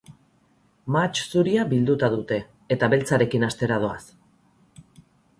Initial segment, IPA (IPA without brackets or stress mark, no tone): m